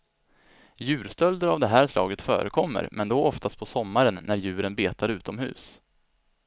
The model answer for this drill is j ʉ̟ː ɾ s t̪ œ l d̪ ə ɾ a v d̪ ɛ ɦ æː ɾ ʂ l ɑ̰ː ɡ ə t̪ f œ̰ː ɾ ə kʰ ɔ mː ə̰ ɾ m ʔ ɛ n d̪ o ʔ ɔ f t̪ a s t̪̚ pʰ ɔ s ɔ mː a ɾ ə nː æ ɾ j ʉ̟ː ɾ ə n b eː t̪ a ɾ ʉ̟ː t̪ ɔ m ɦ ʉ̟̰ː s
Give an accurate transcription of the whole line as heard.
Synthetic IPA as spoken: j ʉ̟ː ɾ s t̪ œ l d̪ ə ɾ a v d̪ ɛ ɦ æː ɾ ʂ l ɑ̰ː ɡ ə t̪ f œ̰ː ɾ ə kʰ ɔ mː ə̰ ɾ m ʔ ɛ n d̪ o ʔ ɔ f t̪ a s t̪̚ pʰ ɔ s ɔ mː a ɾ ə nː æ ɾ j ʉ̟ː ɾ ə n b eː t̪ a ɾ ʉ̟ː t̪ ɔ m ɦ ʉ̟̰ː s